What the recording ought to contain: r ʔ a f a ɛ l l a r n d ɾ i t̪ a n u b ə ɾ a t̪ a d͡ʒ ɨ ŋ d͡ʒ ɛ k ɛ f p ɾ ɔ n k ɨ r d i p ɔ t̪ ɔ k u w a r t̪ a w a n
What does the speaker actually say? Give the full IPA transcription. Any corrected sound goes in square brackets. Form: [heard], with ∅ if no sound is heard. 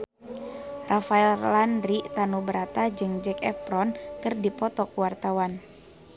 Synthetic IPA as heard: r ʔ a f a ɛ l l a [∅] n d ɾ i t̪ a n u b ə ɾ a t̪ a d͡ʒ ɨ ŋ d͡ʒ ɛ k ɛ f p ɾ ɔ n k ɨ r d i p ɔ t̪ ɔ k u w a r t̪ a w a n

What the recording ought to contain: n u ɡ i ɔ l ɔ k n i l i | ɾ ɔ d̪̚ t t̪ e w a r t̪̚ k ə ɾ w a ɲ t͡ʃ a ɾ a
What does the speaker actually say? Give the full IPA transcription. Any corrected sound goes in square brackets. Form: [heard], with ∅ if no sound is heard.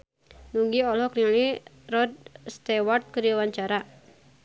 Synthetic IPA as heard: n u ɡ i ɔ l ɔ k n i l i | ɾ ɔ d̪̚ [s] t̪ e w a r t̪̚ k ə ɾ w a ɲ t͡ʃ a ɾ a

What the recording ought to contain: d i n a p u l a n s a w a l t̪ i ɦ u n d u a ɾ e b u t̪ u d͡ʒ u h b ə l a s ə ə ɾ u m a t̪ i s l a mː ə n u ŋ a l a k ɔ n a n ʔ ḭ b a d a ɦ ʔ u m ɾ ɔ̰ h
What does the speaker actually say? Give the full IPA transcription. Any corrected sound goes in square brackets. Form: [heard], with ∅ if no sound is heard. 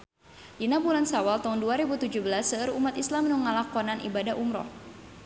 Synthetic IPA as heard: d i n a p u l a n s a w a l t̪ [a] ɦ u n d u a ɾ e b u t̪ u d͡ʒ u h b ə l a s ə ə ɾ u m a t̪ i s l a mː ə n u ŋ a l a k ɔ n a n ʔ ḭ b a d a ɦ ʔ u m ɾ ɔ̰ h

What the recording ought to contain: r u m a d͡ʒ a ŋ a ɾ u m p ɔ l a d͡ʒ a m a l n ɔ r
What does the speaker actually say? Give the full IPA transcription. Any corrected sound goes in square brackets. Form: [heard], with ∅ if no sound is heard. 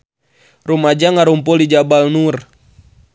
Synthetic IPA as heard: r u m a d͡ʒ a ŋ a ɾ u m p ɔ l [i] d͡ʒ a [b] a l n [u] r

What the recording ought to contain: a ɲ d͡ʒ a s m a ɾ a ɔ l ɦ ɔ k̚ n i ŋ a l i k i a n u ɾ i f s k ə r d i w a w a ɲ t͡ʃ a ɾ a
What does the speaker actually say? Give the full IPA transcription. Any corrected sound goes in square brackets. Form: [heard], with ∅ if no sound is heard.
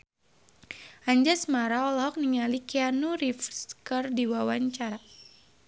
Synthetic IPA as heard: a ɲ d͡ʒ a s m a ɾ a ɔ l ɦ ɔ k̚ n i ŋ a l i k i a n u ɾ i f s k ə r d i w a w a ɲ t͡ʃ a ɾ a

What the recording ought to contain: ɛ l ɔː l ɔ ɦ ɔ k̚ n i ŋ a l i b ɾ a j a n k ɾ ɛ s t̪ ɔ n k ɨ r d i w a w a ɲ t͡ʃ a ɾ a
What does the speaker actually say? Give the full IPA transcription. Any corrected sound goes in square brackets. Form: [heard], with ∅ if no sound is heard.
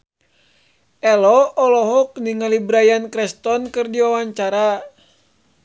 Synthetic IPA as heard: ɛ l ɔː l ɔ ɦ ɔ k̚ n i ŋ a l i b ɾ a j a n k ɾ ɛ s t̪ ɔ n k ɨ r d i w a w a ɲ t͡ʃ a ɾ a

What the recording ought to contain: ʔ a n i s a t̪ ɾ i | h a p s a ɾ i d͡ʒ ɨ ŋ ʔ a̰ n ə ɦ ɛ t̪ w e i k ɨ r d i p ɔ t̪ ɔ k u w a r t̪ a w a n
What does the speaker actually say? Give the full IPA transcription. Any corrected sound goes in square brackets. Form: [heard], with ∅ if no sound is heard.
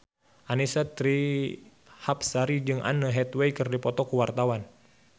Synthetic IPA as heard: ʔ a n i s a t̪ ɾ i | h a p s a ɾ i d͡ʒ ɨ ŋ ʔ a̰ n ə ɦ ɛ t̪ w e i k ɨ r d i p ɔ t̪ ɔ k u w a r t̪ a w a n

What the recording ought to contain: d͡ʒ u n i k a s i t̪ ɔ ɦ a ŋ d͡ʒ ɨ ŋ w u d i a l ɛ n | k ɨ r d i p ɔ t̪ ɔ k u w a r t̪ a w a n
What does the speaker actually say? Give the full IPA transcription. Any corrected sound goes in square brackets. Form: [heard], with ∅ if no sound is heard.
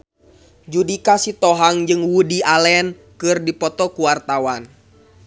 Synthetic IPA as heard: d͡ʒ u [d] i k a s i t̪ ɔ ɦ a ŋ d͡ʒ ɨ ŋ w u d i a l ɛ n | k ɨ r d i p ɔ t̪ ɔ k u w a r t̪ a w a n

